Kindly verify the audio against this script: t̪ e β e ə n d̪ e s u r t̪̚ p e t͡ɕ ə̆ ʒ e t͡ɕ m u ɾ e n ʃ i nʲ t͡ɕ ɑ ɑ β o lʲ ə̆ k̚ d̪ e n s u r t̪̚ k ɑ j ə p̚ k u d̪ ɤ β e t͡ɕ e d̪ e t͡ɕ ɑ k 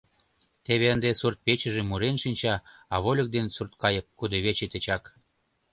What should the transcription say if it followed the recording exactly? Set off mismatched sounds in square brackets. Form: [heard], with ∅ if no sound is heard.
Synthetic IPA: t̪ e β e ə n d̪ e s u r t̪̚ p e t͡ɕ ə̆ ʒ e [∅] m u ɾ e n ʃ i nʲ t͡ɕ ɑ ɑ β o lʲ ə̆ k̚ d̪ e n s u r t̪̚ k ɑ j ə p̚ k u d̪ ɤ β e t͡ɕ e [t̪] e t͡ɕ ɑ k